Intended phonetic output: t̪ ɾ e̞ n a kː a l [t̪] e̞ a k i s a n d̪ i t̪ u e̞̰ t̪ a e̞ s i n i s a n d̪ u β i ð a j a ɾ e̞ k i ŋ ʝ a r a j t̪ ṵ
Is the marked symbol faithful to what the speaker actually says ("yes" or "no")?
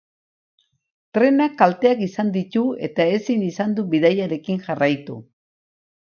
yes